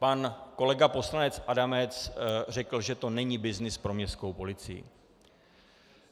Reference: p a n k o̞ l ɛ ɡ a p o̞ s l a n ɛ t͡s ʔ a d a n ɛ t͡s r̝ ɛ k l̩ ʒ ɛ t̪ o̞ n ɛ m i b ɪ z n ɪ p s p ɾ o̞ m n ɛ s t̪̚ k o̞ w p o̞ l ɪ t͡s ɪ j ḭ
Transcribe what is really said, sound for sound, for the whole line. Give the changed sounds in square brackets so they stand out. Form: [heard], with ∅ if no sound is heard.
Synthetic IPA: p a n k o̞ l ɛ ɡ a p o̞ s l a n ɛ t͡s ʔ a d a [m] ɛ t͡s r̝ ɛ k l̩ ʒ ɛ t̪ o̞ n ɛ [ɲ] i b ɪ z n ɪ [∅] s p ɾ o̞ m [ɲ] ɛ s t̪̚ k o̞ w p o̞ l ɪ t͡s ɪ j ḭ